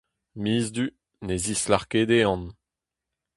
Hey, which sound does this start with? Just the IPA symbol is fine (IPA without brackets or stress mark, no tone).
m